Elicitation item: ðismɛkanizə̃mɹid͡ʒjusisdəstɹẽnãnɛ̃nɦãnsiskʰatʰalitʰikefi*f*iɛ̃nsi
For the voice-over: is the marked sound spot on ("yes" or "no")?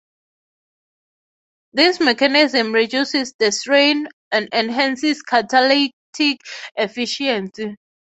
no